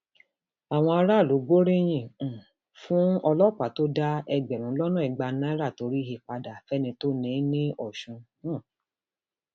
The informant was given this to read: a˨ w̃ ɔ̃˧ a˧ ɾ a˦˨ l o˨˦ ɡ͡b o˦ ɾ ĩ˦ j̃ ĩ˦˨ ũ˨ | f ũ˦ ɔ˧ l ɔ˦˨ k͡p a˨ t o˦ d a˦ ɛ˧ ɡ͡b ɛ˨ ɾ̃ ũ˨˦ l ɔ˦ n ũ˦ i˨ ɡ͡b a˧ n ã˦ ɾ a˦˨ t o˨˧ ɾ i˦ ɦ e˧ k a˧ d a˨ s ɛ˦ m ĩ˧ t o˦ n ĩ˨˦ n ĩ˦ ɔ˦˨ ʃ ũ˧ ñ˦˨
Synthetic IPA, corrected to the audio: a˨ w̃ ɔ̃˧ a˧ ɾ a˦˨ l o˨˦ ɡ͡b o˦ ɾ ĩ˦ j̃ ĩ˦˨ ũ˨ | f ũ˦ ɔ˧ l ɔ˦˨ k͡p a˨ t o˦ d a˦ ɛ˧ ɡ͡b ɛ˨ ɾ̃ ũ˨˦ l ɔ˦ n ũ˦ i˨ ɡ͡b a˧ n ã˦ ɾ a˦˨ t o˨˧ ɾ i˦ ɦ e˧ k͡p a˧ d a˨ f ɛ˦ n ĩ˧ t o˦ n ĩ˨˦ n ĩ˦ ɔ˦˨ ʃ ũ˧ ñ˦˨